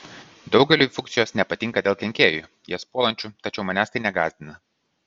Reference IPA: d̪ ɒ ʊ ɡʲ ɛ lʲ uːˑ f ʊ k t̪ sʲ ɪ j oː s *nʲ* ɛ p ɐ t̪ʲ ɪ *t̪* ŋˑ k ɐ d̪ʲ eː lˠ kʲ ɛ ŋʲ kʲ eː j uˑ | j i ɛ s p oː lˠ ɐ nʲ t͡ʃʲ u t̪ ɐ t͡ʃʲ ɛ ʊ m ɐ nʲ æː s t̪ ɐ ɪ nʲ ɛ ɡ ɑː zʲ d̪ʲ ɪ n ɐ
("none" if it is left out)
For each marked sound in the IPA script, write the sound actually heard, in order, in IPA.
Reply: nʲ, none

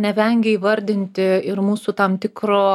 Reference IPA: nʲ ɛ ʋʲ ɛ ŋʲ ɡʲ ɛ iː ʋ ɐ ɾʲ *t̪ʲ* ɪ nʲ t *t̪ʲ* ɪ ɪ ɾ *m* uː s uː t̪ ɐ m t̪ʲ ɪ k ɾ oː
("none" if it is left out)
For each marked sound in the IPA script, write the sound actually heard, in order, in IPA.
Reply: d̪ʲ, t̪ʲ, m

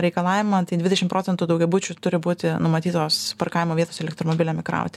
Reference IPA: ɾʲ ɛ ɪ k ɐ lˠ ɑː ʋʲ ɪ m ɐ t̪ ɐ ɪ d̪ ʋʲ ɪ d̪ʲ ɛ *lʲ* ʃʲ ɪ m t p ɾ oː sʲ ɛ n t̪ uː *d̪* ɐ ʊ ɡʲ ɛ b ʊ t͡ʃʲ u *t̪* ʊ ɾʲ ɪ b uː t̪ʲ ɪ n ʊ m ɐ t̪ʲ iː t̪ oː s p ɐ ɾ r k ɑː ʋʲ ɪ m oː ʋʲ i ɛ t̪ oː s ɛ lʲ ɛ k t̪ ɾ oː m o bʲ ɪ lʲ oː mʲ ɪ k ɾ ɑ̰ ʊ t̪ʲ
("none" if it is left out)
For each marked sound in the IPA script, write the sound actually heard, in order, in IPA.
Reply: none, d̪, t̪

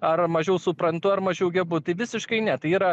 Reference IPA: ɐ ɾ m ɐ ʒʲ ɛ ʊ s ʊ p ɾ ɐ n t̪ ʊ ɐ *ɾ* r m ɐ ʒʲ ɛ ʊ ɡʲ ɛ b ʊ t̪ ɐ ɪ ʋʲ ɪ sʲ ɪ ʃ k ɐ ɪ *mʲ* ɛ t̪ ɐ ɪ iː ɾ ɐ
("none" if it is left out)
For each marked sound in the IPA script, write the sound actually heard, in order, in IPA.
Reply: none, nʲ

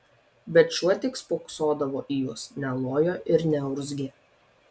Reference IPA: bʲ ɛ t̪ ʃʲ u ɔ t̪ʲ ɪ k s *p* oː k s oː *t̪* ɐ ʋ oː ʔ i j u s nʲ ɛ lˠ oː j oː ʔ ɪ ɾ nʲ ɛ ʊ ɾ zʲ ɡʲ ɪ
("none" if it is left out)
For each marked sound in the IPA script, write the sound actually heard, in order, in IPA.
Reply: p, d̪

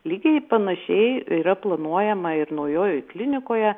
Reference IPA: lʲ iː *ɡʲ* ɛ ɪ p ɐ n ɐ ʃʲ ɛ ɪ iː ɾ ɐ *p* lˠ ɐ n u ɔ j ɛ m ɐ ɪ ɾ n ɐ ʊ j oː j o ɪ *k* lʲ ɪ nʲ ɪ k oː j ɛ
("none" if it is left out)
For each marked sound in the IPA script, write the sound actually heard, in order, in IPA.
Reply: ɡʲ, p, k

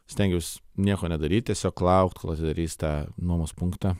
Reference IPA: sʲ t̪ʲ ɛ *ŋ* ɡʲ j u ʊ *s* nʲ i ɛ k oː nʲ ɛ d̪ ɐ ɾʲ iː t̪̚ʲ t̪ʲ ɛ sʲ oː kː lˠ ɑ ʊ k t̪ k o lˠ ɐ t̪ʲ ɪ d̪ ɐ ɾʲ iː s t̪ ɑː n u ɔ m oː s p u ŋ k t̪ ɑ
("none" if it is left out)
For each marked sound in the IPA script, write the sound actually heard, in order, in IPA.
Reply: ŋ, s

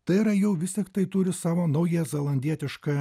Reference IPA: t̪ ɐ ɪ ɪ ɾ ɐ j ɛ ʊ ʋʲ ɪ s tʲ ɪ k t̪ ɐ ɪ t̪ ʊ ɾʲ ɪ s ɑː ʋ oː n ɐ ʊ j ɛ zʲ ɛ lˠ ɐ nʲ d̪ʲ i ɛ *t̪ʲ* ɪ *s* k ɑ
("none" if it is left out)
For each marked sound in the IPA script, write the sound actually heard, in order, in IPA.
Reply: t̪ʲ, ʃ

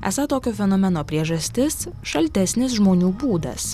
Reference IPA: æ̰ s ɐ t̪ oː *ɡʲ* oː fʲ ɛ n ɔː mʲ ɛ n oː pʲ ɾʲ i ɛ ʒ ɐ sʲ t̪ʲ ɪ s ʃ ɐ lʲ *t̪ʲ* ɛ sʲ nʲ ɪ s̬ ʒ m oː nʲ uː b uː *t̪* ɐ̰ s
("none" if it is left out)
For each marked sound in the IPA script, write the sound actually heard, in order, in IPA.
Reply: kʲ, t̪ʲ, d̪

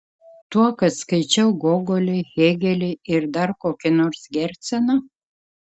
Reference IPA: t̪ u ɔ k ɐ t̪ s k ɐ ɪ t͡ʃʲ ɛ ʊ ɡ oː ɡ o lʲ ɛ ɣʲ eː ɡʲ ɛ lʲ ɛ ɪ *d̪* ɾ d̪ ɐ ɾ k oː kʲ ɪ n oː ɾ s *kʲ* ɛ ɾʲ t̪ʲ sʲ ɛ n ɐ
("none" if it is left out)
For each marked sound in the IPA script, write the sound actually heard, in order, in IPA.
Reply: none, ɡʲ

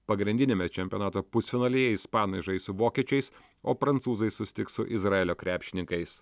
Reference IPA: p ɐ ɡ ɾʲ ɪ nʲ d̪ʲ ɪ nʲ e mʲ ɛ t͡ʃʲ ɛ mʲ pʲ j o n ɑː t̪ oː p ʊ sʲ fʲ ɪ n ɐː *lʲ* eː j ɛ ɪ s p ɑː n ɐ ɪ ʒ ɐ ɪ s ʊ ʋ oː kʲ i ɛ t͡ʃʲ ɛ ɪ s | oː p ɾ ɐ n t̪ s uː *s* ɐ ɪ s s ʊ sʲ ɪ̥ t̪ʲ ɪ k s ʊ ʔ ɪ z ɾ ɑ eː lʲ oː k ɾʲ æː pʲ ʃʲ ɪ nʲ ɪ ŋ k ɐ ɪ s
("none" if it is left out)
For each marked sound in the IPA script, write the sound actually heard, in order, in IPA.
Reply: lʲ, z

